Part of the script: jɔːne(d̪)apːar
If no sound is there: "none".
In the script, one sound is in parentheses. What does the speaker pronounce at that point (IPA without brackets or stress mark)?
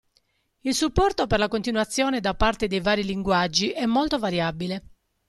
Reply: d̪